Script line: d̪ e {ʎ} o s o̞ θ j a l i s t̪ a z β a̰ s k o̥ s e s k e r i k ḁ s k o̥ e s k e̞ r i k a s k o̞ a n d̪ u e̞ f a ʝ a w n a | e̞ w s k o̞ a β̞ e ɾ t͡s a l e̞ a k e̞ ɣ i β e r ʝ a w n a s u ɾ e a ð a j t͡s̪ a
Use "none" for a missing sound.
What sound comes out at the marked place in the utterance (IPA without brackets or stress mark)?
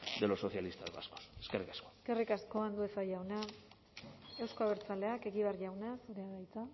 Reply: l